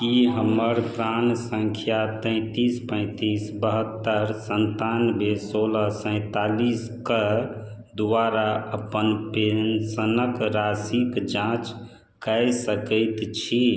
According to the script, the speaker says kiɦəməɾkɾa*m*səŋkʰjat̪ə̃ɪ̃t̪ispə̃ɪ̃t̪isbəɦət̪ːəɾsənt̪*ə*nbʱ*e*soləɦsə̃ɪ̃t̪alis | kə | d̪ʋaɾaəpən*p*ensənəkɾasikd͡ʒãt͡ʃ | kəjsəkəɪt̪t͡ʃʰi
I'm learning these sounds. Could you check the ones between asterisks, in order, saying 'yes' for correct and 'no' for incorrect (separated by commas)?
no, no, yes, yes